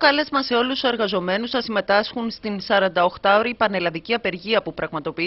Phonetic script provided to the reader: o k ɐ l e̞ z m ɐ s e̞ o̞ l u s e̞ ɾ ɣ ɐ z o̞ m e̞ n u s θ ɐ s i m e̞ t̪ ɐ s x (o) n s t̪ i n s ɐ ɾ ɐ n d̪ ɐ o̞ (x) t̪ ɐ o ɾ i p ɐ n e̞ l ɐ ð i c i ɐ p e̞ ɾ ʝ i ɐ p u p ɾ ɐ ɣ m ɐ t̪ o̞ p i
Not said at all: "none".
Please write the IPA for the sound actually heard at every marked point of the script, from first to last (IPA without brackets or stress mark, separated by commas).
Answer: u, x